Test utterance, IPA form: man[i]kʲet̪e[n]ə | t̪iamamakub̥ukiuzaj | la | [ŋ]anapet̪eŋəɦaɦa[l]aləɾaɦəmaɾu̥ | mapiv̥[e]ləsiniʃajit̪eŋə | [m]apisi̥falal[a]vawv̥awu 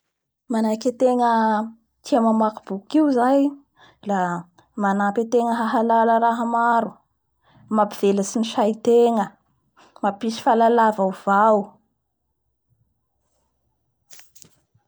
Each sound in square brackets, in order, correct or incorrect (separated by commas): incorrect, incorrect, incorrect, correct, correct, correct, correct